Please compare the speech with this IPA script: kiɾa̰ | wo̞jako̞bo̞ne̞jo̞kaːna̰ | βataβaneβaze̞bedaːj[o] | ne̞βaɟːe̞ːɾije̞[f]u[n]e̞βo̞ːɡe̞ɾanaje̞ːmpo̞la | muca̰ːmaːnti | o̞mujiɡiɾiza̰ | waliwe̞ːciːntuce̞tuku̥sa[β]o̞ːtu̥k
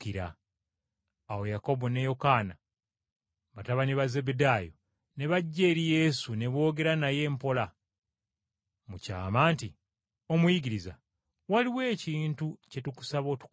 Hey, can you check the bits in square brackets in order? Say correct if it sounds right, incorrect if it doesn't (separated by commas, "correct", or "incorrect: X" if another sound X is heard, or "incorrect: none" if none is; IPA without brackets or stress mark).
correct, incorrect: s, correct, correct